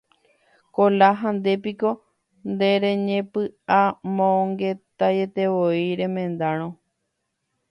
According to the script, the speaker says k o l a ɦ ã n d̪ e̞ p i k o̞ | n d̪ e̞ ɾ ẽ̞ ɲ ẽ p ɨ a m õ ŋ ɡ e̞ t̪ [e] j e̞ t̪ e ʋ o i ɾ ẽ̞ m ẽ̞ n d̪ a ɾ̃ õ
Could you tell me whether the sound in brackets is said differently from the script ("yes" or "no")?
yes